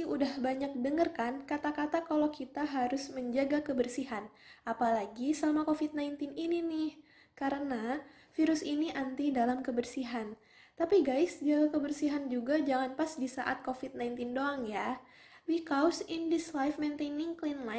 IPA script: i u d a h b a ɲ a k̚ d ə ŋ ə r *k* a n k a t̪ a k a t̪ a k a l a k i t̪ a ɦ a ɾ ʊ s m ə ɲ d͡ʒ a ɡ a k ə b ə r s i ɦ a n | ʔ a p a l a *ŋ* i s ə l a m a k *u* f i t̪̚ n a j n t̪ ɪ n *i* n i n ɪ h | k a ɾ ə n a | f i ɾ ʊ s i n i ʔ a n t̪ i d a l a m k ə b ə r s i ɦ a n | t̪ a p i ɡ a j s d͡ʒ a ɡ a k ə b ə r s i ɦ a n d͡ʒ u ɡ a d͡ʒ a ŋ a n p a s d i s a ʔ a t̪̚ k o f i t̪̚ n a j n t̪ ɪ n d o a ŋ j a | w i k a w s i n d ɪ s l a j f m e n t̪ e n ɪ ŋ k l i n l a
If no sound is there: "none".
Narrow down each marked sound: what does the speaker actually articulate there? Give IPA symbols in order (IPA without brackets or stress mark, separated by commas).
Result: k, ɡ, o, i